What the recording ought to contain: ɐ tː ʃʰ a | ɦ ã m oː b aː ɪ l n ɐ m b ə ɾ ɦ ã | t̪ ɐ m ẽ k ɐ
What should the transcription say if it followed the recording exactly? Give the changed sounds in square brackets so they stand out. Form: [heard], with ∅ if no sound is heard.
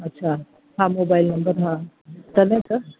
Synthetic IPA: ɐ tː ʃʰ a | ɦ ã m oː b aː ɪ l n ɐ m b ə ɾ ɦ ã | t̪ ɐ [n] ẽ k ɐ